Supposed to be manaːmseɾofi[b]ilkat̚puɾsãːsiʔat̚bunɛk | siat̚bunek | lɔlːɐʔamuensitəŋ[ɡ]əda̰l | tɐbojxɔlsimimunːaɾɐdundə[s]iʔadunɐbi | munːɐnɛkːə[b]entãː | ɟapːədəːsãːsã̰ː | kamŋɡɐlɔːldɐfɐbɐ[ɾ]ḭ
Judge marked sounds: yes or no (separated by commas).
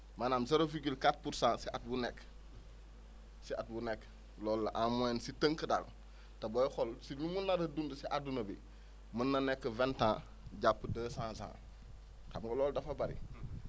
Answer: no, no, yes, no, yes